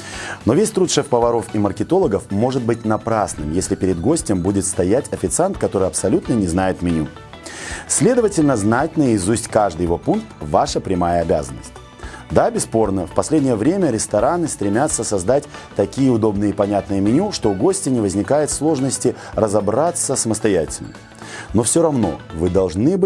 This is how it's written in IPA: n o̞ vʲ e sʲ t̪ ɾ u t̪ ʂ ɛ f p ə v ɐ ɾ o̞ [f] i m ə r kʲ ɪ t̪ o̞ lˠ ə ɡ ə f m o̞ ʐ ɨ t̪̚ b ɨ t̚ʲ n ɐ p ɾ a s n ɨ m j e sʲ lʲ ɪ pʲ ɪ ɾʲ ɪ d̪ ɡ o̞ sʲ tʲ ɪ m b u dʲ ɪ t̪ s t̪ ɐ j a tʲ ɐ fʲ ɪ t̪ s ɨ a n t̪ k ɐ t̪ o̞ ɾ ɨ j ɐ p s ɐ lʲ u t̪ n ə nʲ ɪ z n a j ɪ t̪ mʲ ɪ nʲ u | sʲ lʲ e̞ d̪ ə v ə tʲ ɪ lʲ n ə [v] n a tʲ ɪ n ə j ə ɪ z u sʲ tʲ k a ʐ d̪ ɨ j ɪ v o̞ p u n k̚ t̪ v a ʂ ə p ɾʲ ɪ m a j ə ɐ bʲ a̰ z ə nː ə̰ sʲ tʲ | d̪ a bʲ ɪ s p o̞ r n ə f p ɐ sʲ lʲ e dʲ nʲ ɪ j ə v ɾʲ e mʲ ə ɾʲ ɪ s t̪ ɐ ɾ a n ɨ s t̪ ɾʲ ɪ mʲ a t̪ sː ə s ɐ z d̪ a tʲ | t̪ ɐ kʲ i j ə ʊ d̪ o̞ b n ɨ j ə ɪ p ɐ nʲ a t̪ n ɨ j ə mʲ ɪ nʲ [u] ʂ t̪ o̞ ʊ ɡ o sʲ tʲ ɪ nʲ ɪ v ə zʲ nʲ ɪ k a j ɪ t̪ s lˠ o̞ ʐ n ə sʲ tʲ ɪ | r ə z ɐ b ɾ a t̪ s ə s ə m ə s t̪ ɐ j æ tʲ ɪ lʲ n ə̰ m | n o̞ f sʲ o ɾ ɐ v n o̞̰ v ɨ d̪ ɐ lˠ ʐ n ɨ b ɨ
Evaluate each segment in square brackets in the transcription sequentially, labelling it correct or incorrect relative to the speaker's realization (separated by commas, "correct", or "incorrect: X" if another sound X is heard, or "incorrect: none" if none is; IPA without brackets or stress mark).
correct, incorrect: z, correct